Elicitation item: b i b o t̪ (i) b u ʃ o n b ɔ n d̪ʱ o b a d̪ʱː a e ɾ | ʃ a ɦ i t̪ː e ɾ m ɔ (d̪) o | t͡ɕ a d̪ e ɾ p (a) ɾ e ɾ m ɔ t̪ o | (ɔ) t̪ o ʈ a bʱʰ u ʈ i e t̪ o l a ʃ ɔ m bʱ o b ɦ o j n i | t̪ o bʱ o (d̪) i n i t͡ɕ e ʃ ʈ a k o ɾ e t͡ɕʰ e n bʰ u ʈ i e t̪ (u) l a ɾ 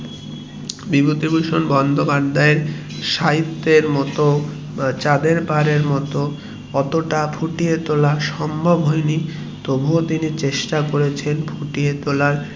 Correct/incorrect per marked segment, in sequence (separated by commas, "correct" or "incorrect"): correct, incorrect, correct, correct, incorrect, incorrect